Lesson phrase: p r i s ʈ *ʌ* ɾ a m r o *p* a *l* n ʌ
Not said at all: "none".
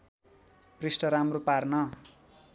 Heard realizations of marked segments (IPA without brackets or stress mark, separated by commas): ʌ, p, r